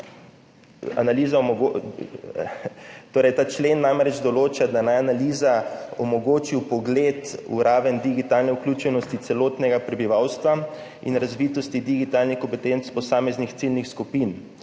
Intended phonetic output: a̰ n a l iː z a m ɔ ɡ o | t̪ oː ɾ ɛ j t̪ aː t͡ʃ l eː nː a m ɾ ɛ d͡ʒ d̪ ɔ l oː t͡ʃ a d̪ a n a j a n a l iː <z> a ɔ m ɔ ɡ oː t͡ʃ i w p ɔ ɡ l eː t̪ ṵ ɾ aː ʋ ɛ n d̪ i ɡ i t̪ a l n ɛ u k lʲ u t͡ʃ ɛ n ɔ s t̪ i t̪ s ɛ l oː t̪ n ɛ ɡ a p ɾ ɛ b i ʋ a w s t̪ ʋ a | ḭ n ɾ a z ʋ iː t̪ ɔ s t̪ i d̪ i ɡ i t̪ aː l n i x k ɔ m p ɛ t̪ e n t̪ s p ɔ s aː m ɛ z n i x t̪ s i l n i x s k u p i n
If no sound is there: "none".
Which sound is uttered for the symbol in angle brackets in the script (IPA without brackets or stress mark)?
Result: z